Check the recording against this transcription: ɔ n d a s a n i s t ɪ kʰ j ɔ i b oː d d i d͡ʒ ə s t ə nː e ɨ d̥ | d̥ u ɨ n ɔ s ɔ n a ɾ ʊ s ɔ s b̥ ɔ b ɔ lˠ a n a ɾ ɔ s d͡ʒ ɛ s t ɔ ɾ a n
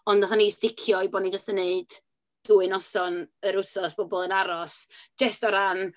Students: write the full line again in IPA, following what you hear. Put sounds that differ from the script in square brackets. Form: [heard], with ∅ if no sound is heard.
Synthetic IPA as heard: ɔ n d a [θ] a n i s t ɪ kʰ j ɔ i b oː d [n] i d͡ʒ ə s t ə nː e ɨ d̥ | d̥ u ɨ n ɔ s ɔ n [ə] ɾ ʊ s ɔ s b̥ ɔ b ɔ lˠ [ə] n a ɾ ɔ s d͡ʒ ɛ s t ɔ ɾ a n